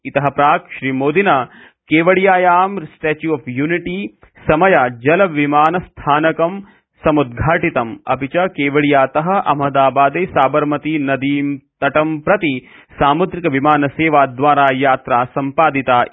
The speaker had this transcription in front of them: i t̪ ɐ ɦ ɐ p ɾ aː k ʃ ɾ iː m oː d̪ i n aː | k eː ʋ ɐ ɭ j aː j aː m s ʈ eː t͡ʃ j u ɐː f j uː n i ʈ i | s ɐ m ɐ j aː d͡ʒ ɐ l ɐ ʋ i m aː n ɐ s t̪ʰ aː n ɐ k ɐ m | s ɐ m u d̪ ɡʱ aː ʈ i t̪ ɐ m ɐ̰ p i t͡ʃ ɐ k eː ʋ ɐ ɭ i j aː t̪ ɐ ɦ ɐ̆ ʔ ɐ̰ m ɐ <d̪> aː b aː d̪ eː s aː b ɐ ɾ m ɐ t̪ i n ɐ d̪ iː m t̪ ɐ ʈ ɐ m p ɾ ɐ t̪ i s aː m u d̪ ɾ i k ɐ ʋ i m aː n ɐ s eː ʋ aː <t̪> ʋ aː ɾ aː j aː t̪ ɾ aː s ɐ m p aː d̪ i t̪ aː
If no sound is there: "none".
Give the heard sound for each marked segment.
d̪, d̪

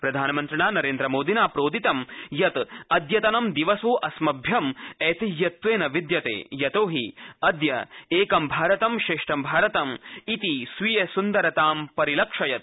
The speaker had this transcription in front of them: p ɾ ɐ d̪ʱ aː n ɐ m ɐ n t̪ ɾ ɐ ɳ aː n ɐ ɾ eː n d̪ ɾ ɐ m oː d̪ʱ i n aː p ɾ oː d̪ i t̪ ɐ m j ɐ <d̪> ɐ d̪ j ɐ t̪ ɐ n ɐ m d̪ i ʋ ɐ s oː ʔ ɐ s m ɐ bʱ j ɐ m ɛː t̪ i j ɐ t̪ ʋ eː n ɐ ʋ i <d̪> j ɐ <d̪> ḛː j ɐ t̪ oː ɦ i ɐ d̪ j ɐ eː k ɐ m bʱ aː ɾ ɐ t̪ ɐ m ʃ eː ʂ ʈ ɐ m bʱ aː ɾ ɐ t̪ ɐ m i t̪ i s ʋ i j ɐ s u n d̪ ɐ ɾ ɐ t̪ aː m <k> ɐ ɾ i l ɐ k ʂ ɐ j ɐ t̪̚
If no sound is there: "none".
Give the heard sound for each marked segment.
t̪, d̪, t̪, p

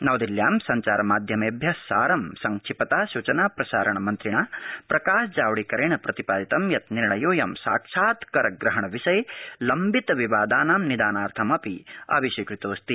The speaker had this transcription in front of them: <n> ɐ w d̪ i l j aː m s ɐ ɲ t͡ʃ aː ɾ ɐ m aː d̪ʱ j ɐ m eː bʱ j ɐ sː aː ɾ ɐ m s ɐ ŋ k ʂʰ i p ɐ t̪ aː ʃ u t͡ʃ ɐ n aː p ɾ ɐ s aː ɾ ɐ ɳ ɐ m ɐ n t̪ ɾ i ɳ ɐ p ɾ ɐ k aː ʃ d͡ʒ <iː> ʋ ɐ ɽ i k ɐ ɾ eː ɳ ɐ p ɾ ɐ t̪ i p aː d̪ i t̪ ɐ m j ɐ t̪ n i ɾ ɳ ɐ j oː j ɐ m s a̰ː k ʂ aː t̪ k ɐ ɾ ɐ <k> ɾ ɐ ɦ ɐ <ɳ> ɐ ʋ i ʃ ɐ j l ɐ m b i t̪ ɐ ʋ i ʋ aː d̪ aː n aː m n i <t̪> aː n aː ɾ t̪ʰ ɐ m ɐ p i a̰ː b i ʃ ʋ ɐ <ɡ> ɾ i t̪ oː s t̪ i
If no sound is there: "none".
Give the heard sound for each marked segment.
n, aː, ɡ, ɳ, d̪, k

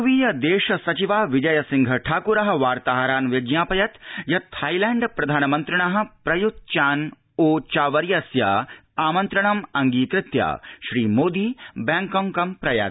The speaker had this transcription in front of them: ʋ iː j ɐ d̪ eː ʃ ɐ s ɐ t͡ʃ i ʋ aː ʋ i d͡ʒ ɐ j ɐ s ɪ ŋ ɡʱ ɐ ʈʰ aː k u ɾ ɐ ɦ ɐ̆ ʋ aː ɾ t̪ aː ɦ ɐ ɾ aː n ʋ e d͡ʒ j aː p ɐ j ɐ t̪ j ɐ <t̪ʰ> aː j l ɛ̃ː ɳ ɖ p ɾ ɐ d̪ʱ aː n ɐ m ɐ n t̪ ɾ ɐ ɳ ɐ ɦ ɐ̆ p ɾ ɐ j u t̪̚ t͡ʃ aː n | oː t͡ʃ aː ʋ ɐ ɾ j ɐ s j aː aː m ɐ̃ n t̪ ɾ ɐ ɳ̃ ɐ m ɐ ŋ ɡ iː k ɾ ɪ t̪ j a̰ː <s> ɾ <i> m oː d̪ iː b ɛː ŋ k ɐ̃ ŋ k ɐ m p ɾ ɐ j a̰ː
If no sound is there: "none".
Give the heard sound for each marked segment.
t̪ʰ, ʃ, iː

